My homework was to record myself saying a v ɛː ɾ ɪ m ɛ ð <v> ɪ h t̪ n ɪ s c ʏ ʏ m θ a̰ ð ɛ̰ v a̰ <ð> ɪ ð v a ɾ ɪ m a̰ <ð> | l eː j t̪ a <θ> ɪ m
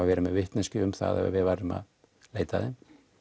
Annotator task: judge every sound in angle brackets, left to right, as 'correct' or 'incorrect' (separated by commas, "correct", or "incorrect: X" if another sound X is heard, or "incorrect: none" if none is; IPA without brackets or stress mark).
correct, incorrect: v, correct, incorrect: ð